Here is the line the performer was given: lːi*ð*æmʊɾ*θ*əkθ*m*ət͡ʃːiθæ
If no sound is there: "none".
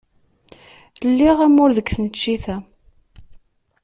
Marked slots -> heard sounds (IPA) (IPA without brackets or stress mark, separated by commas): ʁ, ð, n